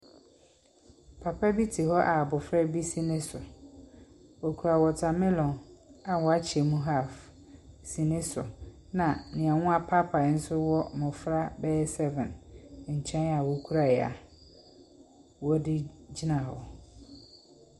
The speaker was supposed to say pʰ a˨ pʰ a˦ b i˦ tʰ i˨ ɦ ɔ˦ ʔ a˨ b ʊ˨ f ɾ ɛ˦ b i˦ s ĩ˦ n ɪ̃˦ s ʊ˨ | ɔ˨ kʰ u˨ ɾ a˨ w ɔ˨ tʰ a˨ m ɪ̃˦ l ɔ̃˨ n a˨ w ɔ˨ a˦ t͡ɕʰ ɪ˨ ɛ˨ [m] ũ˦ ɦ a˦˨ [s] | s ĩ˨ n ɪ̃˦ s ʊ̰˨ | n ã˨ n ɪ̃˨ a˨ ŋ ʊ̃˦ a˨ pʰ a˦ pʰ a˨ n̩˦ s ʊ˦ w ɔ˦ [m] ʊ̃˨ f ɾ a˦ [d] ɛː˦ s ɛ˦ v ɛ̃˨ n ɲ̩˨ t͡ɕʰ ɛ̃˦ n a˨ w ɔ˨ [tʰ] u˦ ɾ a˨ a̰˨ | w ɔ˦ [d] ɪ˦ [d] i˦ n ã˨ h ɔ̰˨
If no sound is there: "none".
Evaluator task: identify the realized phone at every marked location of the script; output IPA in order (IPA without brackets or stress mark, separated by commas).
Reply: m, f, m, b, kʰ, d, d͡ʑ